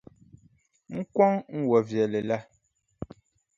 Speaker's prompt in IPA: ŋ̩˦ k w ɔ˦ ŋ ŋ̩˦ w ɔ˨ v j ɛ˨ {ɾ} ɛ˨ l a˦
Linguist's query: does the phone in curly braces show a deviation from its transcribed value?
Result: yes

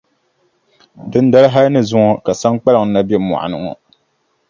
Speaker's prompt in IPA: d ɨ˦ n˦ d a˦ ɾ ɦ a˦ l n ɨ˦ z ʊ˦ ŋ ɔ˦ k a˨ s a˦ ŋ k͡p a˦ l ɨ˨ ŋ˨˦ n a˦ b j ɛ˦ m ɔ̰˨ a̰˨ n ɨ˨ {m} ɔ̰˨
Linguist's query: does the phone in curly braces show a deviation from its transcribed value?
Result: yes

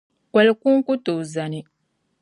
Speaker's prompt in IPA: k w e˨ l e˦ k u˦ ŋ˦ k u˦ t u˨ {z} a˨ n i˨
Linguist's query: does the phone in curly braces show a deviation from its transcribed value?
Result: no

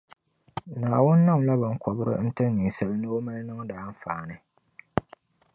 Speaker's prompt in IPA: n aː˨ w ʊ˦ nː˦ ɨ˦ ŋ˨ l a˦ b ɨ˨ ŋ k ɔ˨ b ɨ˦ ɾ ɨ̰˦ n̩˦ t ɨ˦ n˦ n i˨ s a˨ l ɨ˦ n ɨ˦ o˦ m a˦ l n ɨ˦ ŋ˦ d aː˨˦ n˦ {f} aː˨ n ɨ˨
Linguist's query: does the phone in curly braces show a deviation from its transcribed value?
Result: no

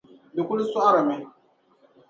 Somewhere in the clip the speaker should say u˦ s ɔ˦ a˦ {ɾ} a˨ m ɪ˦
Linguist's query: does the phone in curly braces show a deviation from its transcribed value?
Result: no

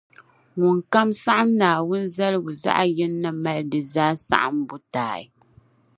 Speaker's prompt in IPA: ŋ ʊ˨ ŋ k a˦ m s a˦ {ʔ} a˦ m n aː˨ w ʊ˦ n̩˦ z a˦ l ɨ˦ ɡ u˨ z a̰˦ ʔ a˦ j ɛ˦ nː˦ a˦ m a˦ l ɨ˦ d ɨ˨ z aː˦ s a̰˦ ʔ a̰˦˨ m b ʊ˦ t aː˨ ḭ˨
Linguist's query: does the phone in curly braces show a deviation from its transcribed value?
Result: no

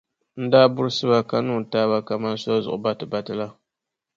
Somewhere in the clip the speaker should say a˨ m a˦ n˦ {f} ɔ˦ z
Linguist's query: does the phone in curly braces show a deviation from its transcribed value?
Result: yes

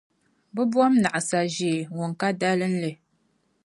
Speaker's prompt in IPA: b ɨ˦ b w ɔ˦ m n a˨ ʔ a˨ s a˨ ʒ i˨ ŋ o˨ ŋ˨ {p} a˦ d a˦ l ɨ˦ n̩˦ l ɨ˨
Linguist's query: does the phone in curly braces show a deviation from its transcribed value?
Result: yes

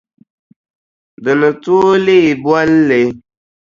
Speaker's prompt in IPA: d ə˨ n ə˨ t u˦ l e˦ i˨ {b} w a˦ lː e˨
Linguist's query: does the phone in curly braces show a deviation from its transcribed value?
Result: no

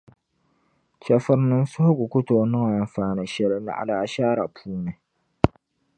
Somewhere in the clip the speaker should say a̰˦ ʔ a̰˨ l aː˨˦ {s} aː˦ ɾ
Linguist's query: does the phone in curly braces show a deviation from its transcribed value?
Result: yes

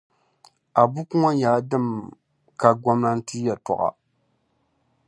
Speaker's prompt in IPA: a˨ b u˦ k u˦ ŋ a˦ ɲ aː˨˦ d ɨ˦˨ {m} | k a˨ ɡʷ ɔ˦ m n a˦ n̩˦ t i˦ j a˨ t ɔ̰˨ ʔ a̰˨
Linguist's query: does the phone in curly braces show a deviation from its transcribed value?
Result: no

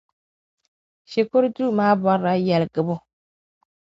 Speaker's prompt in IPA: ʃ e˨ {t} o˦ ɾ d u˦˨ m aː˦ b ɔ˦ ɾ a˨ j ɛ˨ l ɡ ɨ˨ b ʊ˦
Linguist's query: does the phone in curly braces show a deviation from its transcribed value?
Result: yes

